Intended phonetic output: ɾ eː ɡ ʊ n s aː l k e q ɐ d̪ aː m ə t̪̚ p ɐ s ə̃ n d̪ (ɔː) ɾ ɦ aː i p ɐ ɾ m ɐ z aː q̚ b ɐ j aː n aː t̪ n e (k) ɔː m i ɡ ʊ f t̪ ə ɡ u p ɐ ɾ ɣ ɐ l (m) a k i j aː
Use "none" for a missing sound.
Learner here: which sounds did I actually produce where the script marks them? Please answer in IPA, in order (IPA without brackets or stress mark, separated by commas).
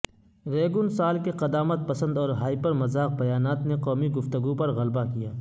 ɔː, q, b